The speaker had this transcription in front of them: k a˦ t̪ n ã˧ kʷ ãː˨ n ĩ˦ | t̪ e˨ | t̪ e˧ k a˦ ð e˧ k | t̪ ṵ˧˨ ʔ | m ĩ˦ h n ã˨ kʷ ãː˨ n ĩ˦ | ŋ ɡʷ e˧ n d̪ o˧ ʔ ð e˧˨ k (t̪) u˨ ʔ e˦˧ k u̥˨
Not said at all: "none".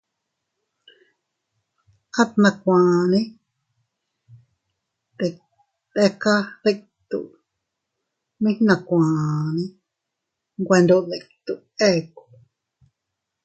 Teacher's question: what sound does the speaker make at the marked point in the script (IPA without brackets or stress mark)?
t̪